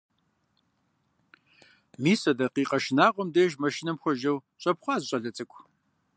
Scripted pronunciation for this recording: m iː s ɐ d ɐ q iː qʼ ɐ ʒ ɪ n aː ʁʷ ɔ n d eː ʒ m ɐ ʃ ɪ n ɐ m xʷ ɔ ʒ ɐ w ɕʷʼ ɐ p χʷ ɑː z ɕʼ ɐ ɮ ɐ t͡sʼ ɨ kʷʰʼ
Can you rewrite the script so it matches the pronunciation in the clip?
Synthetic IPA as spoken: m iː s ɐ d ɐ q iː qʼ ɐ ʃ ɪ n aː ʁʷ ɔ m d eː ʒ m ɐ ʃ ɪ n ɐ m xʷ ɔ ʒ ɐ w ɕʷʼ ɐ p χʷ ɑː z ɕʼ ɐ ɮ ɐ t͡sʼ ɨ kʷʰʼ